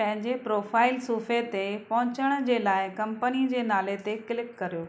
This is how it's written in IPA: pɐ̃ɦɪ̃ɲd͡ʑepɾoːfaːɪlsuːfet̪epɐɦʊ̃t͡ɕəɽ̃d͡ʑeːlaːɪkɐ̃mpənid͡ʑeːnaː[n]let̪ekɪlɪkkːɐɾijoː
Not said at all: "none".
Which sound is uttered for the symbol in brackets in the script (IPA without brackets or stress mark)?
none